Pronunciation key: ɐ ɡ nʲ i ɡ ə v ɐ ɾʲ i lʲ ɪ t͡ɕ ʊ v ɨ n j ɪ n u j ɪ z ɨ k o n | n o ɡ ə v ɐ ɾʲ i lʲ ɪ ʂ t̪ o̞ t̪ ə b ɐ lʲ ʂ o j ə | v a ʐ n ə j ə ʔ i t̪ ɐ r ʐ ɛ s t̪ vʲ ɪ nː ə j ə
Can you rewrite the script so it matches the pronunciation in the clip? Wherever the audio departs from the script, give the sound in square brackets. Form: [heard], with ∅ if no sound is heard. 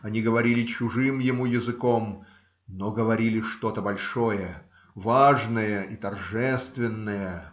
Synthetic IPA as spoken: ɐ [∅] nʲ i ɡ ə v ɐ ɾʲ i lʲ ɪ t͡ɕ ʊ [ʐ] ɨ [m] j ɪ [m] u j ɪ z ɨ k o [m] | n o ɡ ə v ɐ ɾʲ i lʲ ɪ ʂ t̪ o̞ t̪ ə b ɐ lʲ ʂ o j ə | v a ʐ n ə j ə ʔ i t̪ ɐ r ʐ ɛ s t̪ vʲ ɪ nː ə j ə